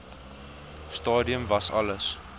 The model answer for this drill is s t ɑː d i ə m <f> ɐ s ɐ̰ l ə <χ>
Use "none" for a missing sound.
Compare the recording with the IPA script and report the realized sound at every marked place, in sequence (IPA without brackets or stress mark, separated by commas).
v, s